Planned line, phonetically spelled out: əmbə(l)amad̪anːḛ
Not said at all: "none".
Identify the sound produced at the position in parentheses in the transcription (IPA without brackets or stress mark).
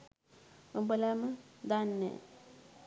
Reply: l